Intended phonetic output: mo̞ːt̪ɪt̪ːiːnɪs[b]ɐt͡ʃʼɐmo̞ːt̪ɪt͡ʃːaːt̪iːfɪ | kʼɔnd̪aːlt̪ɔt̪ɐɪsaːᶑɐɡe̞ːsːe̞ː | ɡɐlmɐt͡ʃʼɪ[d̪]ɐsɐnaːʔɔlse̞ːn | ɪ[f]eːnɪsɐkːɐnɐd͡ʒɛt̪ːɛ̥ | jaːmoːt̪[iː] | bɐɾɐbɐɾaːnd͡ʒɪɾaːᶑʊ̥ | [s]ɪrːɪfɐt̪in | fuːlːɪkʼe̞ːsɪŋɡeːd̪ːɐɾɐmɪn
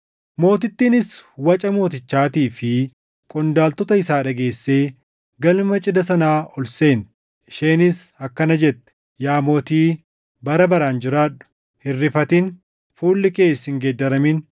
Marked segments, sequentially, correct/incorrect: incorrect, correct, incorrect, correct, incorrect

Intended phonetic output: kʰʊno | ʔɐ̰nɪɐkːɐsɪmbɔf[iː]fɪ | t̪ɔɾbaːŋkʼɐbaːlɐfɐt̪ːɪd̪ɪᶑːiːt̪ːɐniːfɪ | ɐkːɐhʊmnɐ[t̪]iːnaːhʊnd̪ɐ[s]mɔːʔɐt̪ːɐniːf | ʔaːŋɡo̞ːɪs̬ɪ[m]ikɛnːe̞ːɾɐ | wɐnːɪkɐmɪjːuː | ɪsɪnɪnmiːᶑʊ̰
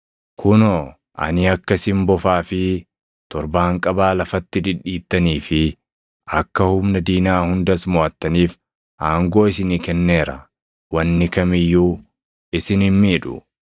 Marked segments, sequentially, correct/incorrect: incorrect, incorrect, correct, incorrect

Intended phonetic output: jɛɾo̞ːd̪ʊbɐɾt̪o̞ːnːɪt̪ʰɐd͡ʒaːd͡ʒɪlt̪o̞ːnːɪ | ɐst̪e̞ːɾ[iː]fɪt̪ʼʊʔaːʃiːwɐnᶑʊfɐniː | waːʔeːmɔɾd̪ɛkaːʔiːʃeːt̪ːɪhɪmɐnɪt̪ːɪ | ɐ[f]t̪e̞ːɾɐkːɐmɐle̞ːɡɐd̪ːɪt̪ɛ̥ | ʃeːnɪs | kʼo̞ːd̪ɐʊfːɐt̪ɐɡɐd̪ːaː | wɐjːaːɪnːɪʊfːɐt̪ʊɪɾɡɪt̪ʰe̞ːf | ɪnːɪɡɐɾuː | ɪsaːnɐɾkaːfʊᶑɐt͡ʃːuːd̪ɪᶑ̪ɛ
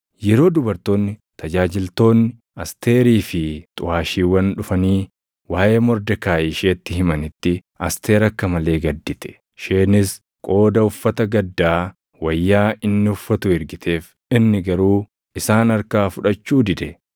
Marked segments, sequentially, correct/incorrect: correct, incorrect

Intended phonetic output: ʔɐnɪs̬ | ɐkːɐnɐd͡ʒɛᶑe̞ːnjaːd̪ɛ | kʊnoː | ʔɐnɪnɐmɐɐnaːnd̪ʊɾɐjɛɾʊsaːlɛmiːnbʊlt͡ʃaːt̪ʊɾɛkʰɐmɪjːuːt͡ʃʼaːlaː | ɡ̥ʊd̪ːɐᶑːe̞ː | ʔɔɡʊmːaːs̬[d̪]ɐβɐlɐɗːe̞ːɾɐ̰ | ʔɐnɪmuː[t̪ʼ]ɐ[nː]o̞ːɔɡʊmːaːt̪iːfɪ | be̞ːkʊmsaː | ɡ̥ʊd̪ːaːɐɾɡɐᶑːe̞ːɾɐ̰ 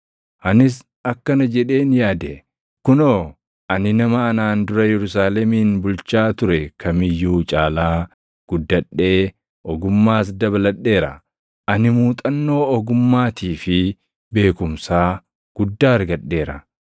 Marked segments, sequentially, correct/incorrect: correct, correct, correct

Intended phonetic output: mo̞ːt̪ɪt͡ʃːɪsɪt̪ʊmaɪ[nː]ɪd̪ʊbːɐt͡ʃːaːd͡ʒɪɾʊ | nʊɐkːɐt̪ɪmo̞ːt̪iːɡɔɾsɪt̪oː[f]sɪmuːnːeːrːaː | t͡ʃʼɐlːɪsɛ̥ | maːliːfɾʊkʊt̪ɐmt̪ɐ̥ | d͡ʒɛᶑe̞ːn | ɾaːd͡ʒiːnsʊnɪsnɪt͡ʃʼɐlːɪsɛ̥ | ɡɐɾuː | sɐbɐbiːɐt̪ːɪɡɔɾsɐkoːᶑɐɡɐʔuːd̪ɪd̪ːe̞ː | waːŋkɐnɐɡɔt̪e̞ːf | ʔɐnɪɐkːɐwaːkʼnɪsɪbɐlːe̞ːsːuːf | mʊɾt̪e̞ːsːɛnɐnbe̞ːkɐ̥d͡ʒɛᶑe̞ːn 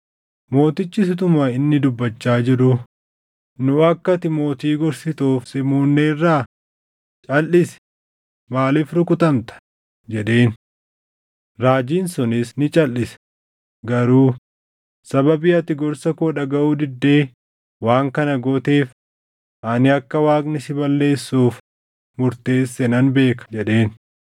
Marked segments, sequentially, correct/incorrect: correct, correct

